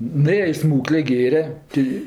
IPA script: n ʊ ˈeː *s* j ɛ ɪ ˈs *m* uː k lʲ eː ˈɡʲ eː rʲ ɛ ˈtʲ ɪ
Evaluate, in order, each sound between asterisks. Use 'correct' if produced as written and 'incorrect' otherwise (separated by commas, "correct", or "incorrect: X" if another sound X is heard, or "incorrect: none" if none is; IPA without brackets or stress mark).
incorrect: none, correct